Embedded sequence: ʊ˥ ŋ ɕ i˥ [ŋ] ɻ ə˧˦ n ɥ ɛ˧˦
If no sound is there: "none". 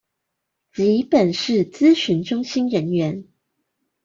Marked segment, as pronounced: n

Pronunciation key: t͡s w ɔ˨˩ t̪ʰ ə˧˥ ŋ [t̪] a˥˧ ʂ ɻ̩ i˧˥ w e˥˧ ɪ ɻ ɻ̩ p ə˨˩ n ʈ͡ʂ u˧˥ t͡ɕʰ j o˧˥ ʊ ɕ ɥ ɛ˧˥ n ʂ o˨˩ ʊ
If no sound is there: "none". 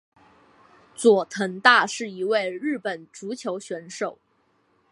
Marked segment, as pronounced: t̪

